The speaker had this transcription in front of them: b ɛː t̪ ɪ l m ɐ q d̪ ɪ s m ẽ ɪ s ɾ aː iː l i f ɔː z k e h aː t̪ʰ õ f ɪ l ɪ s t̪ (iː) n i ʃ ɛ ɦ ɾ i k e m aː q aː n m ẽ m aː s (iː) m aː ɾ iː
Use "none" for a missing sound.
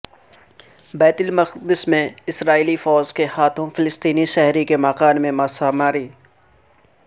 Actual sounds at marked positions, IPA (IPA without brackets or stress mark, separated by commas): iː, aː